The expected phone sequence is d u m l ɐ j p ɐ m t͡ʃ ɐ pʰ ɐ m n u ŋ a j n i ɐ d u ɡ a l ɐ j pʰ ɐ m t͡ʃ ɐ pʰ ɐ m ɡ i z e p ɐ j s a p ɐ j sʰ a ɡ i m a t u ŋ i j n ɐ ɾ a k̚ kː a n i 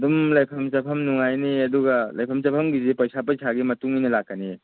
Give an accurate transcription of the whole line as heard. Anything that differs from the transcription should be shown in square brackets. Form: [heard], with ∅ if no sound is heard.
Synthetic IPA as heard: d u m l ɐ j [pʰ] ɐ m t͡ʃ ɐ pʰ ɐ m n u ŋ a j n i ɐ d u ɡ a l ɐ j pʰ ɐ m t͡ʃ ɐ pʰ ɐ m ɡ i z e p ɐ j s a p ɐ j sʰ a ɡ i m [ɐ] t u ŋ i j n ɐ [l] a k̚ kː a n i